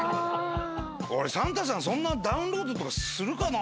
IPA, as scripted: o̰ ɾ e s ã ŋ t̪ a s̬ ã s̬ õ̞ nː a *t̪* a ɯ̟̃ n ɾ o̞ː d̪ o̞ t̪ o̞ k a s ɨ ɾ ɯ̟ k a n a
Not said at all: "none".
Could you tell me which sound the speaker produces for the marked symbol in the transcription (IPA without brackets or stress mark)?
d̪